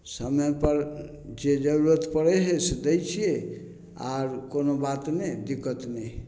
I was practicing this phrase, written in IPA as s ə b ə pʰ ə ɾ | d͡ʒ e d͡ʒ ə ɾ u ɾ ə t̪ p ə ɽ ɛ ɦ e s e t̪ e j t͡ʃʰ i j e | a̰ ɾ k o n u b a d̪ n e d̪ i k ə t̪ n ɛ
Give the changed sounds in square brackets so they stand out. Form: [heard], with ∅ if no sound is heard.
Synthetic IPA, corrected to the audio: s ə [m] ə [p] ə ɾ | d͡ʒ e d͡ʒ ə ɾ u ɾ ə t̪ p ə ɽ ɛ ɦ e s e [d̪] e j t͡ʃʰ i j e | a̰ ɾ k o n [o] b a [t̪] n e d̪ i k ə t̪ n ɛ